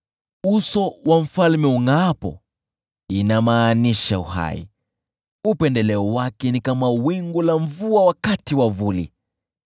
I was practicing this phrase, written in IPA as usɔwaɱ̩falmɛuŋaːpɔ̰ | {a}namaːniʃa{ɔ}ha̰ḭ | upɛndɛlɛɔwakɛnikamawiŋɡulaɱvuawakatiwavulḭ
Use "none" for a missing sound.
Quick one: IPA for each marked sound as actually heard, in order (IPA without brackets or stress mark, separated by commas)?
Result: i, u